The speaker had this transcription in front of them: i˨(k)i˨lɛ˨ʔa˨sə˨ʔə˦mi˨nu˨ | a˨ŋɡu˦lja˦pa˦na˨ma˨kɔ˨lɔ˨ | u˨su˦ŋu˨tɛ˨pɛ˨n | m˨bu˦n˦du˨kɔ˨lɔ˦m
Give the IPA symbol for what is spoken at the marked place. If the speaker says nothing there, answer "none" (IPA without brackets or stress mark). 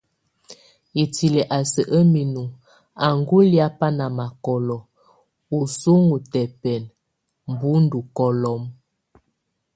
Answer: t